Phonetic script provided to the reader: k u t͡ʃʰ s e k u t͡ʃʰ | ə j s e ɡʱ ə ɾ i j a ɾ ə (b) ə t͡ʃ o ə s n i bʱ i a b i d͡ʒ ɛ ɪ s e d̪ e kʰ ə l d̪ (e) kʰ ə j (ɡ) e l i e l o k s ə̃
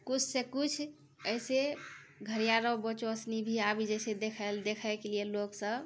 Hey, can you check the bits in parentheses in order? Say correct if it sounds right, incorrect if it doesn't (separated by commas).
correct, correct, incorrect